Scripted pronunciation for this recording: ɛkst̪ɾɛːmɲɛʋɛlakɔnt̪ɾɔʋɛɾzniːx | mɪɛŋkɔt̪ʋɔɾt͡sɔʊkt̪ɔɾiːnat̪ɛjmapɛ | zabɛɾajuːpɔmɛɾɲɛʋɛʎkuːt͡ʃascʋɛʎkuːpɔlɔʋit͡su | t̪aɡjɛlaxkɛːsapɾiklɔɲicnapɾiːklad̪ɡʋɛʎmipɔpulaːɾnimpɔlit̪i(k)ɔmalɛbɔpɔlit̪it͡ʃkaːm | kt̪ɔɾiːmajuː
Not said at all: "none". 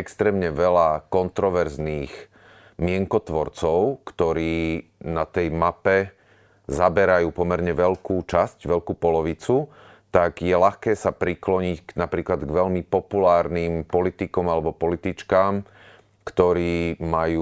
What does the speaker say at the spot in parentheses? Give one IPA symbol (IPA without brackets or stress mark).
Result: k